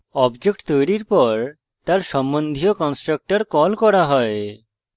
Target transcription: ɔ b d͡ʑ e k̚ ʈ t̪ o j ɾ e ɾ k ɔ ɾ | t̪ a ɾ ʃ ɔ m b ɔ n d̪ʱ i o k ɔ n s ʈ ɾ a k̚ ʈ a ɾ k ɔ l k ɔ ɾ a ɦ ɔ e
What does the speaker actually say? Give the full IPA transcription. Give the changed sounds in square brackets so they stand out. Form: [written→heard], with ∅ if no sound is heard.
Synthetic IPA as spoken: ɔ b d͡ʑ e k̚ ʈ t̪ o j ɾ [e→i] ɾ [k→p] ɔ ɾ | t̪ a ɾ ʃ ɔ m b [ɔ→o] n d̪ʱ i o k ɔ n s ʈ ɾ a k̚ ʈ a ɾ k ɔ l k ɔ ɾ a ɦ ɔ e